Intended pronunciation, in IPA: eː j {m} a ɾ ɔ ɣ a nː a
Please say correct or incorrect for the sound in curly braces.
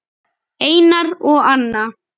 incorrect